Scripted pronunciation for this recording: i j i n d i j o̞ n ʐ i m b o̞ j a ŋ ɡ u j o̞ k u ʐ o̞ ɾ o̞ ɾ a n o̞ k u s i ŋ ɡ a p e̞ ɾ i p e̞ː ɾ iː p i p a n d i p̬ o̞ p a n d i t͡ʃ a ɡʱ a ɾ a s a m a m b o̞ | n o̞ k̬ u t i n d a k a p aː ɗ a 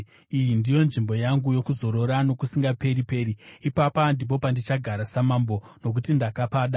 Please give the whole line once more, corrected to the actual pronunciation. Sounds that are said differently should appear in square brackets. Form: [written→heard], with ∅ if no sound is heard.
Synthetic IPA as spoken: i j i n d i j o̞ n ʐ i m b o̞ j a ŋ ɡ u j o̞ k u [ʐ→z] o̞ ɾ o̞ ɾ a n o̞ k u s i ŋ ɡ a p e̞ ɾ i p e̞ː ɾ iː p [i→a] p a n d i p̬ o̞ p a n d i t͡ʃ a ɡʱ a ɾ a s a m a m b o̞ | n o̞ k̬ u t i n d a k a p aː ɗ a